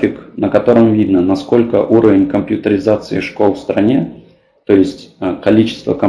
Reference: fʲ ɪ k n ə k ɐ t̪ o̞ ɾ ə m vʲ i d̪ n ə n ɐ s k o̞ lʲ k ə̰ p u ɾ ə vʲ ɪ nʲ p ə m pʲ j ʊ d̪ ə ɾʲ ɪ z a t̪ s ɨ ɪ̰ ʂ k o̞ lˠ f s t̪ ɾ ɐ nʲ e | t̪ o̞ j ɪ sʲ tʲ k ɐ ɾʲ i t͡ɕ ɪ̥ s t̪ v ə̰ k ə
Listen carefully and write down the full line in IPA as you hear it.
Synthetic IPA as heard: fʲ ɪ k n ə k ɐ t̪ o̞ ɾ ə m vʲ i d̪ n ə n ɐ s k o̞ lʲ k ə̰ ʔ u ɾ ə vʲ ɪ nʲ k ə m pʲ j ʊ t̪ ə ɾʲ ɪ z a t̪ s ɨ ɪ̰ ʂ k o̞ lˠ f s t̪ ɾ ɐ nʲ e | t̪ o̞ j ɪ sʲ tʲ k ɐ lʲ i t͡ɕ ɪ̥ s t̪ v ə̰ k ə